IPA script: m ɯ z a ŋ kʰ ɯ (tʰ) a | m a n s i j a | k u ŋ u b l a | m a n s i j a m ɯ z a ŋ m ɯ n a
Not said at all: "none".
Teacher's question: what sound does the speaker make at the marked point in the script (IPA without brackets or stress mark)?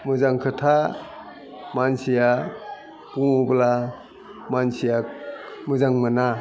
tʰ